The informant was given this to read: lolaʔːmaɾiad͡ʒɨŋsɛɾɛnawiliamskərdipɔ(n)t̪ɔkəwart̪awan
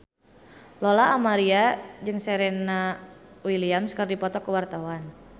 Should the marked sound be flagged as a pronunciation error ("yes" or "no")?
yes